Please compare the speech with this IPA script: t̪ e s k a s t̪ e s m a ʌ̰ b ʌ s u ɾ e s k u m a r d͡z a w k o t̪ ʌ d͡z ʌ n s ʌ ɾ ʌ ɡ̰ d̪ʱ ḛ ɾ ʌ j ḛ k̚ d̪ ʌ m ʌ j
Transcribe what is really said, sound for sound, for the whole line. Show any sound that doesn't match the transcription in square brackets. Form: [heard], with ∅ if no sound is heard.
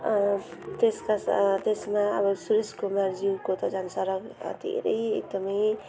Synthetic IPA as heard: t̪ e s k a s t̪ e s m a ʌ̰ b ʌ s u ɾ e s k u m a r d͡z [i] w k o t̪ ʌ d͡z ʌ n s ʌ ɾ ʌ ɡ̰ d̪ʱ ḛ ɾ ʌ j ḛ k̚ d̪ ʌ m ʌ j